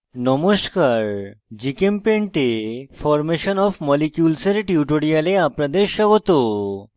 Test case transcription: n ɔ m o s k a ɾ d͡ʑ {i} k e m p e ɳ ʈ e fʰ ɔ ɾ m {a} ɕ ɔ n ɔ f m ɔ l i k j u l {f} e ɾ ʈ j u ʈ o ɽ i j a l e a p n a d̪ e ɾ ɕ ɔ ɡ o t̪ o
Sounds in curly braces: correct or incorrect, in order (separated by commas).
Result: correct, incorrect, incorrect